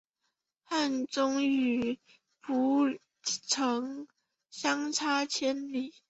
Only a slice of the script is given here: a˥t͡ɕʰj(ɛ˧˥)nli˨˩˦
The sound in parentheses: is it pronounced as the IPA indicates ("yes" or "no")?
no